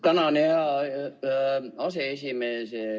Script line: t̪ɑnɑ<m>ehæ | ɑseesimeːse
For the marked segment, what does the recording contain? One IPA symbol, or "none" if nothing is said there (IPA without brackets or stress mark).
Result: n